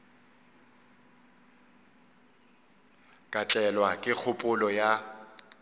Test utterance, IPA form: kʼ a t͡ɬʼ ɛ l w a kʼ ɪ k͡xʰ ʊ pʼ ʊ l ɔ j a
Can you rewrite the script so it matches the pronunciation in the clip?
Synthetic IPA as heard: kʼ a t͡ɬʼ ɛ l w a kʼ ɪ k͡xʰ ʊ pʼ ʊ l ɔ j a